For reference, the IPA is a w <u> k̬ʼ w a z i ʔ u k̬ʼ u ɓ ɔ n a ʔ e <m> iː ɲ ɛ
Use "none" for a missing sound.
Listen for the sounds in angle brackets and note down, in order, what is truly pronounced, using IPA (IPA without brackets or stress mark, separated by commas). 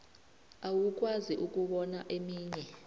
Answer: u, m